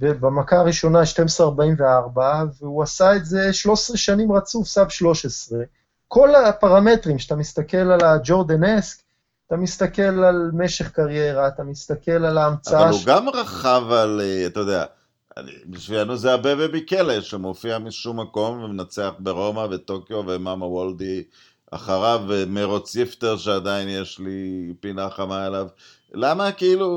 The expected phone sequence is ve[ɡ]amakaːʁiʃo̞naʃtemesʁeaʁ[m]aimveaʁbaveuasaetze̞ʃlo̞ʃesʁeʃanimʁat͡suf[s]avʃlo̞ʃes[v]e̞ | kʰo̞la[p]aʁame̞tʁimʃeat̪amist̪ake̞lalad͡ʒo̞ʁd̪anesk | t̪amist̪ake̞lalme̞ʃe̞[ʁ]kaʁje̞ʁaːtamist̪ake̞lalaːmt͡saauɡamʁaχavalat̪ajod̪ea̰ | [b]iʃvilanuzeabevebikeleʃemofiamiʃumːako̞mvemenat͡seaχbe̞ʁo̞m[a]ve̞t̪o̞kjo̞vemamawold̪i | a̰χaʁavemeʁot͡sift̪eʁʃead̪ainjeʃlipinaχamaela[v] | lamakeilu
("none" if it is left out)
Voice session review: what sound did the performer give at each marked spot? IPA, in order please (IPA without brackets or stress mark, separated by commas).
b, b, s, ʁ, p, χ, b, a, v